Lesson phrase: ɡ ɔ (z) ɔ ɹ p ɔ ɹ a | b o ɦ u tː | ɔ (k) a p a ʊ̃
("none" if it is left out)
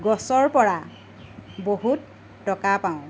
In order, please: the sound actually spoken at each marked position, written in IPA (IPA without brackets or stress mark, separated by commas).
s, k